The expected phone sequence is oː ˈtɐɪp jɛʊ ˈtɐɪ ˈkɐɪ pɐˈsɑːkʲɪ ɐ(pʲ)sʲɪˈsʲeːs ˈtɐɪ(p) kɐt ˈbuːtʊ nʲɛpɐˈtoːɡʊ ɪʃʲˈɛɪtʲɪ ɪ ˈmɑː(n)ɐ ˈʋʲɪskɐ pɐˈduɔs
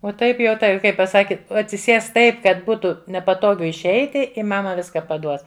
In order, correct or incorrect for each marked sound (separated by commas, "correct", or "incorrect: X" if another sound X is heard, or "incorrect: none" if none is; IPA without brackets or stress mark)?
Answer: incorrect: tʲ, correct, incorrect: m